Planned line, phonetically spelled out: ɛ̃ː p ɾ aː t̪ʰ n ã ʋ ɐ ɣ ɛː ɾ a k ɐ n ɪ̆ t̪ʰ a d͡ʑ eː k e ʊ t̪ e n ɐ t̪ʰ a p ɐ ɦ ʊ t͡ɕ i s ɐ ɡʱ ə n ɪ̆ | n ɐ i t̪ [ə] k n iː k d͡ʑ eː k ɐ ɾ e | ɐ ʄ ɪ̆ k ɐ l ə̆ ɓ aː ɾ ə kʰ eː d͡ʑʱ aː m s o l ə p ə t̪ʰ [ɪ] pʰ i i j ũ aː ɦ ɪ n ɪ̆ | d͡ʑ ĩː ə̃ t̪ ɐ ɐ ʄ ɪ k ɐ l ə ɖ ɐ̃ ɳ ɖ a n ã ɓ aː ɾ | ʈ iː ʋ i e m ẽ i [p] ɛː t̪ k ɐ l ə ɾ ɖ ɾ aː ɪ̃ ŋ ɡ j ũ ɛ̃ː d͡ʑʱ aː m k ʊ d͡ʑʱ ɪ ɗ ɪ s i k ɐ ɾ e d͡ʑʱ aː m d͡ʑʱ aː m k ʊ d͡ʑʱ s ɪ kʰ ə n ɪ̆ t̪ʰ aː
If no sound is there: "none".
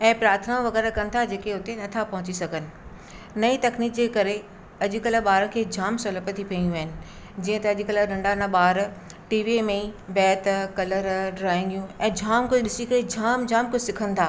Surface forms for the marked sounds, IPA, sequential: ɐ, i, b

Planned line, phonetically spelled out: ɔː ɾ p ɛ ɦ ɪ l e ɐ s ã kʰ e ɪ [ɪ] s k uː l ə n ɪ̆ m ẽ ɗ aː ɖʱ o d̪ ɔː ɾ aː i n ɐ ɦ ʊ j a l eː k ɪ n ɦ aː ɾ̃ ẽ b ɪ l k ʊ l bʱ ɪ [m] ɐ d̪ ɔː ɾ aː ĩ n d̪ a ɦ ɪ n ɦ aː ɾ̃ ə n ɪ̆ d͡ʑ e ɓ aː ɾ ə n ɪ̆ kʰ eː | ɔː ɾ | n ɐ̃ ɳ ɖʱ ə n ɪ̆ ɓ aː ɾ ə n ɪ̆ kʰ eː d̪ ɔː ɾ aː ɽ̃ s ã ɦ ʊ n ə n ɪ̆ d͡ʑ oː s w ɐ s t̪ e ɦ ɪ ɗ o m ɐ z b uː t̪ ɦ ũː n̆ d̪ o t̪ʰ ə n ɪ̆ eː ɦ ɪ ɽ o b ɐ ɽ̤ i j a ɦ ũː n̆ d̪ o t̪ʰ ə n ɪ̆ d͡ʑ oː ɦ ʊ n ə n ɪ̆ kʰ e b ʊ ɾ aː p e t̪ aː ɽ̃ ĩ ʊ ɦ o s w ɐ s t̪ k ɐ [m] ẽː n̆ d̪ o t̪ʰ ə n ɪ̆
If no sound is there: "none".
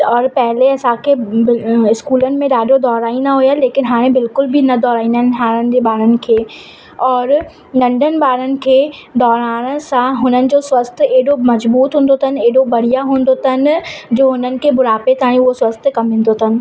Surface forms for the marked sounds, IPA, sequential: ɪ, n, m

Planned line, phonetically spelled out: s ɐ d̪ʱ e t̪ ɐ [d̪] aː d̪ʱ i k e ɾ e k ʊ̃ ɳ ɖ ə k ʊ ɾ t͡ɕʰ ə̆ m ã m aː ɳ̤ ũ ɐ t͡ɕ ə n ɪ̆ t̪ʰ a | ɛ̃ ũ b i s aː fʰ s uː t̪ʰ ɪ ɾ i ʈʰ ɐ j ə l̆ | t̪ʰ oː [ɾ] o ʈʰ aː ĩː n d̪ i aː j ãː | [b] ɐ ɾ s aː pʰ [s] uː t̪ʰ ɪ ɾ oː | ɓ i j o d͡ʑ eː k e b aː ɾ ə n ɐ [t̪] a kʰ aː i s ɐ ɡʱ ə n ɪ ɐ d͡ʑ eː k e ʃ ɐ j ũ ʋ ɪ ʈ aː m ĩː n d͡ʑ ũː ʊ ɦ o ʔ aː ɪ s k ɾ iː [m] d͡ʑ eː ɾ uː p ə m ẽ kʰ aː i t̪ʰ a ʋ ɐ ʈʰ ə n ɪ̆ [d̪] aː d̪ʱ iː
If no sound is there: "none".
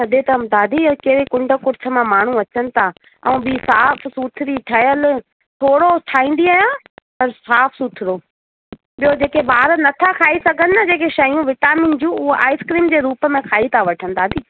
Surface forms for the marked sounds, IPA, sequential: d̪, ɽ, p, s, t̪ʰ, m, d̪

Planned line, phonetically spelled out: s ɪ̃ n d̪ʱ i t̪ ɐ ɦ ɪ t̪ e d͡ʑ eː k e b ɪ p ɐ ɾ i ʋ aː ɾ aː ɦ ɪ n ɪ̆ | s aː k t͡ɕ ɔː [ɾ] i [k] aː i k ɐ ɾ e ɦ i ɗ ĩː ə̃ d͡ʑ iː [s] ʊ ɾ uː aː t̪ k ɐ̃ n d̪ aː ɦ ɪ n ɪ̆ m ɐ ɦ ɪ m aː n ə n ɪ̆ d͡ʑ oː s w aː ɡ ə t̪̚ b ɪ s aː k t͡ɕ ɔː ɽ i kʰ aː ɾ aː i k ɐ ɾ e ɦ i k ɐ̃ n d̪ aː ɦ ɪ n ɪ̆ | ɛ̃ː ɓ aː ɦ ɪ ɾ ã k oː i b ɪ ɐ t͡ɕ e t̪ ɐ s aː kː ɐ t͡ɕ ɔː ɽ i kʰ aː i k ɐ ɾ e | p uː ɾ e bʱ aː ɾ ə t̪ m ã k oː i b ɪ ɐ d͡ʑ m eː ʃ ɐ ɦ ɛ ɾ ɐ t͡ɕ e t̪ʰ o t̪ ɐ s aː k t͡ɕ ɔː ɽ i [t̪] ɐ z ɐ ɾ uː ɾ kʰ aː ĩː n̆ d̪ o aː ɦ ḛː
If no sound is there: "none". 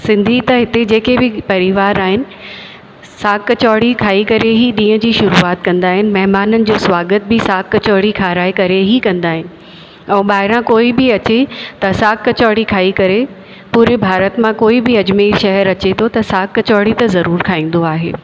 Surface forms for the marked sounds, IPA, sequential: ɽ, kʰ, ʃ, t̪

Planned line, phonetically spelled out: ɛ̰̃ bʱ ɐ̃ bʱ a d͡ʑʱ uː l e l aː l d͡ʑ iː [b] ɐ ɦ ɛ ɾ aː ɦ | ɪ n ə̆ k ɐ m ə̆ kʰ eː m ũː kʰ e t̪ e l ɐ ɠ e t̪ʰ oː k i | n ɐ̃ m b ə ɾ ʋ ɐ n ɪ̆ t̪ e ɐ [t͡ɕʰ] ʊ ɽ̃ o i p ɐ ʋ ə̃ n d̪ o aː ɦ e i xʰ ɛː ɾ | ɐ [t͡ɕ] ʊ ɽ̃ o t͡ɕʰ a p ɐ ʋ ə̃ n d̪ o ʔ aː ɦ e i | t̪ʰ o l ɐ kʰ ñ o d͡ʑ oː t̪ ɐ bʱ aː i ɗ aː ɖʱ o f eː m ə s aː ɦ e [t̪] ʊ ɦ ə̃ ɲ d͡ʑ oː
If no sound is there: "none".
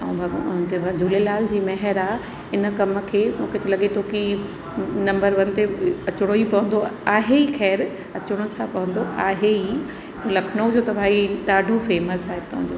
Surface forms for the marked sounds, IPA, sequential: m, t͡ɕ, t͡ɕ, t̪

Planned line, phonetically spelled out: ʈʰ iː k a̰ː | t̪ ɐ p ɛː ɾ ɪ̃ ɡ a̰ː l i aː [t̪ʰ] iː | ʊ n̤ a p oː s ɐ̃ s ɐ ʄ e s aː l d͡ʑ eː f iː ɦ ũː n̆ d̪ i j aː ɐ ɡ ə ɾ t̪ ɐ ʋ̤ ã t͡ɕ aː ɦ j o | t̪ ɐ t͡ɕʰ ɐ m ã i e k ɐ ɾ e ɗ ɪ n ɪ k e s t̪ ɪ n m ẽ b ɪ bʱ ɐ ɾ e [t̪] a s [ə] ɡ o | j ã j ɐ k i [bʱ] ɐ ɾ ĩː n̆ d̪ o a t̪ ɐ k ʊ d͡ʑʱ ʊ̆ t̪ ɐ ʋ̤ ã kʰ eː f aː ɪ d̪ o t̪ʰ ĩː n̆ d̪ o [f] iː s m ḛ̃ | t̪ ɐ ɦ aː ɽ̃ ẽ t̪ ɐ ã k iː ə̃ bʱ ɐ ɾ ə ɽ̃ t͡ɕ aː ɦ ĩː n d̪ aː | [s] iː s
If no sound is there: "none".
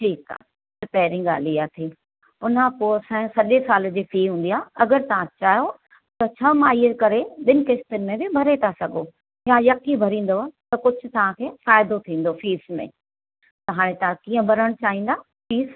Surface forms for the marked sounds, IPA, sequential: t̪ʰ, t̪ʰ, ɐ, bʱ, f, f

